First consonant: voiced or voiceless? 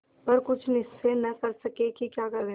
voiceless